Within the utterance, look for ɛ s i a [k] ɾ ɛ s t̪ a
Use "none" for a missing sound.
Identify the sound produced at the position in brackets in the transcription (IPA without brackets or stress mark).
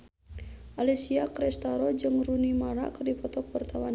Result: k